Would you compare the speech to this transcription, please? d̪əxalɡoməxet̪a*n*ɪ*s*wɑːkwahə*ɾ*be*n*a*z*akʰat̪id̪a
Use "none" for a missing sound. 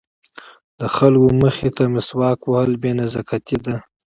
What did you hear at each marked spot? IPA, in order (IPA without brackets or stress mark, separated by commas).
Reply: m, s, l, n, z